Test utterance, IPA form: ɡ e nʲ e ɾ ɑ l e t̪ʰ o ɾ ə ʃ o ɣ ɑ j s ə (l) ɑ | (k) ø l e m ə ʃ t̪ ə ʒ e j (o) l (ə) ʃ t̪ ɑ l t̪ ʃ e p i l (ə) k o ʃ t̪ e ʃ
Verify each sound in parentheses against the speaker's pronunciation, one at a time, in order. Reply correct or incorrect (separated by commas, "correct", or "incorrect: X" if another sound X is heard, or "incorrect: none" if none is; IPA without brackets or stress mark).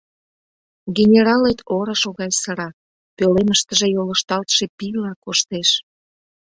incorrect: ɾ, incorrect: p, correct, correct, incorrect: ɑ